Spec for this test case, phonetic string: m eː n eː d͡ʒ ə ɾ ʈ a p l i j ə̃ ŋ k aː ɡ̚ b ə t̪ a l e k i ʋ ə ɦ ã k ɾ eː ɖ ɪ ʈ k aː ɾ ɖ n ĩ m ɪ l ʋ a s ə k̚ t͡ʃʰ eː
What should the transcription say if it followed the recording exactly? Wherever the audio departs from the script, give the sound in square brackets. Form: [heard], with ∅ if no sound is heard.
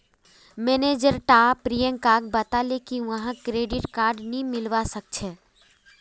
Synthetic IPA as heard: m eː n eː d͡ʒ ə ɾ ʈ a p [ɾ] i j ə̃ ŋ k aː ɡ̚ b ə t̪ a l e k i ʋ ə ɦ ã k ɾ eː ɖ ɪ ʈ k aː ɾ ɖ n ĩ m ɪ l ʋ a s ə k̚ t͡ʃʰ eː